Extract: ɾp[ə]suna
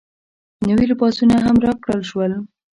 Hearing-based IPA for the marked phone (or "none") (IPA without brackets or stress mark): ɑ